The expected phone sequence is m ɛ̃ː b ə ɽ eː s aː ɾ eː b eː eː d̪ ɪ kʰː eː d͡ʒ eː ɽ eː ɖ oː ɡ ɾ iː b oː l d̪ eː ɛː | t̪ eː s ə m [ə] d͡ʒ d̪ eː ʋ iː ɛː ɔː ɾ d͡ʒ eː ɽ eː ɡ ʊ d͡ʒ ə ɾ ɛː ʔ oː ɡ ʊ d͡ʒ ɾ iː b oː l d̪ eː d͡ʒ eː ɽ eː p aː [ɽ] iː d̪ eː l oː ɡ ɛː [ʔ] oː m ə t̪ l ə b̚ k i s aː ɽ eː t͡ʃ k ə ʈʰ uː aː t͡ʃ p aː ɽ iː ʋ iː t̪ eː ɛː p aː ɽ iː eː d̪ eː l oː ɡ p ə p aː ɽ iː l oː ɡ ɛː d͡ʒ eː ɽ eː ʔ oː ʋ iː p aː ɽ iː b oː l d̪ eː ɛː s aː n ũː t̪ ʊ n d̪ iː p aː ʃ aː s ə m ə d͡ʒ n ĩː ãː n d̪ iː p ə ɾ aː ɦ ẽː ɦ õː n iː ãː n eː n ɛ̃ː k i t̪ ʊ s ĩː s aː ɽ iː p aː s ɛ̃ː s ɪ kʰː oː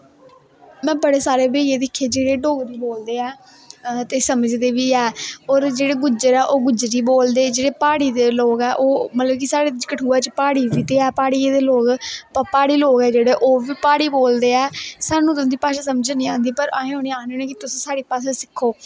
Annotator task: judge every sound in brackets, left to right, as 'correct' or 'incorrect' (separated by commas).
correct, correct, correct